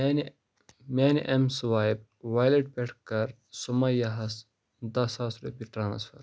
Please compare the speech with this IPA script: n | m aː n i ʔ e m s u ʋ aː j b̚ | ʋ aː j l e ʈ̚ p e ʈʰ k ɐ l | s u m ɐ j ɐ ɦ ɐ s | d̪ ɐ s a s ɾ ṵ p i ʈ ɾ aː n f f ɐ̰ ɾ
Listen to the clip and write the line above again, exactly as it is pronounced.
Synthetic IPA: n | m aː n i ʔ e m s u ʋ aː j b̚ | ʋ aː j l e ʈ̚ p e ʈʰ k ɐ ɾ | s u m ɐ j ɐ ɦ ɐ s | d̪ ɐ s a s ɾ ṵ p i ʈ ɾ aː n s f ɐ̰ ɾ